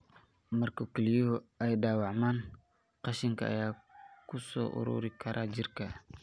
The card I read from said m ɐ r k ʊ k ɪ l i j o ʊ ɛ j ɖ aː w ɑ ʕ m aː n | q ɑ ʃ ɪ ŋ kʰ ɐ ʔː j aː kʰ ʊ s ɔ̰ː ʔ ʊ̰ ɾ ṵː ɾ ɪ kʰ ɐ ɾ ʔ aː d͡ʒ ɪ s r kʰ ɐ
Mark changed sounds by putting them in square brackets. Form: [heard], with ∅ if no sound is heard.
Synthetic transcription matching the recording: m ɐ r k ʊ k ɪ l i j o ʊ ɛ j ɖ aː w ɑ ʕ m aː n | q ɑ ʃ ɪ ŋ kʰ ɐ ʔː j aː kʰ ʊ s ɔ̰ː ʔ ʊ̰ ɾ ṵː ɾ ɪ kʰ ɐ ɾ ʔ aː d͡ʒ ɪ [∅] r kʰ ɐ